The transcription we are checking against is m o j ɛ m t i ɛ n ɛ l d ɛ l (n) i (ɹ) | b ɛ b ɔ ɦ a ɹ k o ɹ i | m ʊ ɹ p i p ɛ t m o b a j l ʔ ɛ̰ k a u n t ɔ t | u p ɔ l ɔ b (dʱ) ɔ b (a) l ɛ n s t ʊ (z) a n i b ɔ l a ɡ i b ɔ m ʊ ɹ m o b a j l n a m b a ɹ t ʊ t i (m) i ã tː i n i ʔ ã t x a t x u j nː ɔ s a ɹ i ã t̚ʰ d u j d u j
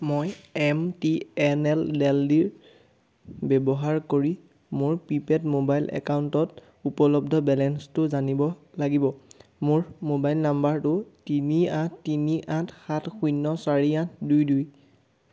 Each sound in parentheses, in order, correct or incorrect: incorrect, correct, correct, incorrect, correct, incorrect

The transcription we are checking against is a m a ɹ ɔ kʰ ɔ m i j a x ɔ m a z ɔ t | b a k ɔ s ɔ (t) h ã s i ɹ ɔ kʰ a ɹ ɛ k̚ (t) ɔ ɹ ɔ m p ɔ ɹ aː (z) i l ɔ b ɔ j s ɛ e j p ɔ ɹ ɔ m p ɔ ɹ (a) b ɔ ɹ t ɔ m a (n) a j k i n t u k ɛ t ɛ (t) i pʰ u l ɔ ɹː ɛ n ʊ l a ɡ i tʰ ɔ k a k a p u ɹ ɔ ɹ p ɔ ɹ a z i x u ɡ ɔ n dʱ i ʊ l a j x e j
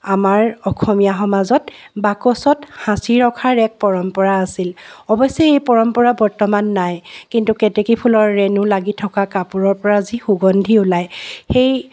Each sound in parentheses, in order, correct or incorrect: correct, incorrect, incorrect, correct, incorrect, incorrect

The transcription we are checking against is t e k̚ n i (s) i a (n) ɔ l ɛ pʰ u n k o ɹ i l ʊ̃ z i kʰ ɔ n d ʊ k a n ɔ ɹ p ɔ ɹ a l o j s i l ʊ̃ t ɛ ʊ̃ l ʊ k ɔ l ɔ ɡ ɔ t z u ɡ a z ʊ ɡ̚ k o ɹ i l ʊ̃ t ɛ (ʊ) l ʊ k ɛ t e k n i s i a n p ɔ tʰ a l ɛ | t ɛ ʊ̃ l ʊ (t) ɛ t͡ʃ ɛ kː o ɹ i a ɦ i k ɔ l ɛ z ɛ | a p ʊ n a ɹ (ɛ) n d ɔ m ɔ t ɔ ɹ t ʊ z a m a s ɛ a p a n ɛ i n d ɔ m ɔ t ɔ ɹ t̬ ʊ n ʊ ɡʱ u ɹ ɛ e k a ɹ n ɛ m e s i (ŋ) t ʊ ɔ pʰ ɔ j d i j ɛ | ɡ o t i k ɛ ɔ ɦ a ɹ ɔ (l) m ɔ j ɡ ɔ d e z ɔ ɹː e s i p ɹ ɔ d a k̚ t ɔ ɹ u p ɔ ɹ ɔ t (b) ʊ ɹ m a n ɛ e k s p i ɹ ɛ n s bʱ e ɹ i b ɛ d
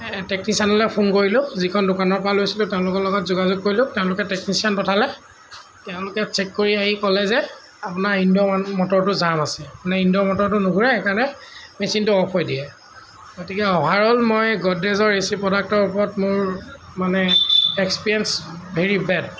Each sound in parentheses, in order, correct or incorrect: correct, correct, incorrect, incorrect, incorrect, incorrect, correct, incorrect

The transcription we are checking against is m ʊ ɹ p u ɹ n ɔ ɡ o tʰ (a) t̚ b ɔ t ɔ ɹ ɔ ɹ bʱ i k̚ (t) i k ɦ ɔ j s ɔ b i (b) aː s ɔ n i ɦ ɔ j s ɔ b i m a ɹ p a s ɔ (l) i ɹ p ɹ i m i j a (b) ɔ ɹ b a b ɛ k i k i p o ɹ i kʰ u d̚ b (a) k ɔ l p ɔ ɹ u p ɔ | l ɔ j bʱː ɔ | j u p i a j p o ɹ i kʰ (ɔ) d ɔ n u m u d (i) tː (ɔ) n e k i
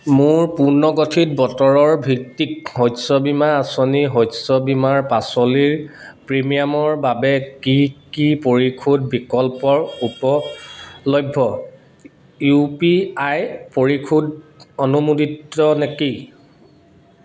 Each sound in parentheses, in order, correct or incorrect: incorrect, correct, incorrect, correct, incorrect, incorrect, incorrect, correct, correct

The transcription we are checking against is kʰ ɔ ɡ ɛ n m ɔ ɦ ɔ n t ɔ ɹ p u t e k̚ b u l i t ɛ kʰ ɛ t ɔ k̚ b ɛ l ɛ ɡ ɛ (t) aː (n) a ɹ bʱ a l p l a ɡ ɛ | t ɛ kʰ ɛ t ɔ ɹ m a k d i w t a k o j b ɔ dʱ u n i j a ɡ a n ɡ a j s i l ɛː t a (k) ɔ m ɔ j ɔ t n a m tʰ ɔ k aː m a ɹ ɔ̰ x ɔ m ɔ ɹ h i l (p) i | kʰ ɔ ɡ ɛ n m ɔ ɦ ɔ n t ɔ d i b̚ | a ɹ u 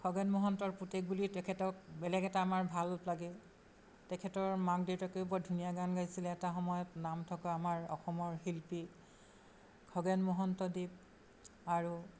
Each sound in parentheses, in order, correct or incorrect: correct, incorrect, incorrect, correct

